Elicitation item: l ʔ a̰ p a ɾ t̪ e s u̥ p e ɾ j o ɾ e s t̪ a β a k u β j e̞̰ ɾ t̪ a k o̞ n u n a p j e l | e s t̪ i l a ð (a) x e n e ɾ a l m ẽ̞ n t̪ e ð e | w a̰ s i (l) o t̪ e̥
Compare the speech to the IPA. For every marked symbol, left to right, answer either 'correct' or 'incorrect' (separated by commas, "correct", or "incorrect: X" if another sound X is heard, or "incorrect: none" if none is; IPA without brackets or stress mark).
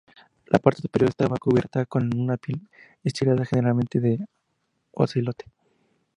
correct, correct